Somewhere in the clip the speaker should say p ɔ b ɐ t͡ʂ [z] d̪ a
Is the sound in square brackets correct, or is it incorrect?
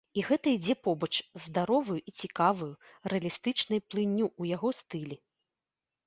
correct